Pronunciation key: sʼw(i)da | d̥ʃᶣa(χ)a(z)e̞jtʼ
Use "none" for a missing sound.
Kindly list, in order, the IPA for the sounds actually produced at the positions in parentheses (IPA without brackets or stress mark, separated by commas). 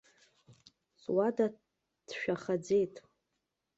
a, χ, d͡z